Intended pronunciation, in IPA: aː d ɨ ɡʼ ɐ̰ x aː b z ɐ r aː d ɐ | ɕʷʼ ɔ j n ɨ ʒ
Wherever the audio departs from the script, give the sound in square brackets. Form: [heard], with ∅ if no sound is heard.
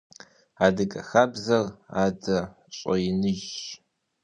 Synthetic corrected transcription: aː d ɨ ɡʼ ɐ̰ x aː b z ɐ r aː d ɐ | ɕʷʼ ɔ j n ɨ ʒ